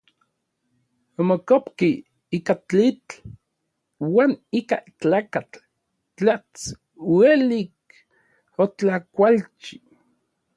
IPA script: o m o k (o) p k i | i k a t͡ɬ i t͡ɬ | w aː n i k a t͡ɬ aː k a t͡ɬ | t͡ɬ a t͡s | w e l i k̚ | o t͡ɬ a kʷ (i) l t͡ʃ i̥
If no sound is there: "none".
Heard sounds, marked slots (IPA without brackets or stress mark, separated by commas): o, a